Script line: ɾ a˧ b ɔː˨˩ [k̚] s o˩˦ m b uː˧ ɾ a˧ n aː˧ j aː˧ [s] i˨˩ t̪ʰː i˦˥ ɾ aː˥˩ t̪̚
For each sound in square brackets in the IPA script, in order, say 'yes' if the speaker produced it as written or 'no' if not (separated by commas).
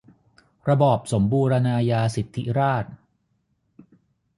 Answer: no, yes